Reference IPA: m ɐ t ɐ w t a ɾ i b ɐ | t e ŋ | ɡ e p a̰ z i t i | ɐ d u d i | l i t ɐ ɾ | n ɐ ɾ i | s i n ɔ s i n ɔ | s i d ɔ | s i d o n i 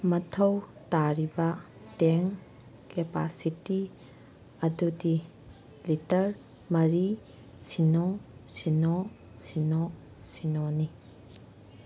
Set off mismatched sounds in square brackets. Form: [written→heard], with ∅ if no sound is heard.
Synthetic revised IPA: m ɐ [t→tʰ] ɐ w t a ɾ i b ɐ | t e ŋ | [ɡ→k] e p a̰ [z→s] i t i | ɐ d u d i | l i t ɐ ɾ | [n→m] ɐ ɾ i | s i n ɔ s i n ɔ | s i [d→n] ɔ | s i [d→n] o n i